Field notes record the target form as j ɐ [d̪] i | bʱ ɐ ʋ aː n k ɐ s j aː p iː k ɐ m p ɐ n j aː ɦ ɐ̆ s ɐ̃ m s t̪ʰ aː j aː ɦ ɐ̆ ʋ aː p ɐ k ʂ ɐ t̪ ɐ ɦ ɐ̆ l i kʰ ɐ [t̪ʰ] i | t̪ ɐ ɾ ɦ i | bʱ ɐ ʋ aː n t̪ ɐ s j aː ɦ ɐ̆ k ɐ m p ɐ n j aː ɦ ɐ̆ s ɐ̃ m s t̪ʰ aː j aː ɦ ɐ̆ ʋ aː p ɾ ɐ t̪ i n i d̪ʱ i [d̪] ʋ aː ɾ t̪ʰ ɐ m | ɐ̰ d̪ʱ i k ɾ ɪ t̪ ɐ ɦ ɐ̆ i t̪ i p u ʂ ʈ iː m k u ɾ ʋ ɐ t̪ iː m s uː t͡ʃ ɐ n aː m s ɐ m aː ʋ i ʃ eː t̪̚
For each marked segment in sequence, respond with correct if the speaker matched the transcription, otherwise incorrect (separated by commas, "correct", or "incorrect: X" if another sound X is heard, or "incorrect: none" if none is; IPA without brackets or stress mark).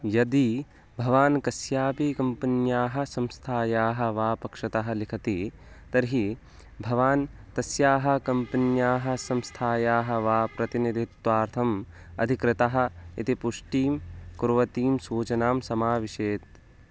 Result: correct, incorrect: t̪, incorrect: t̪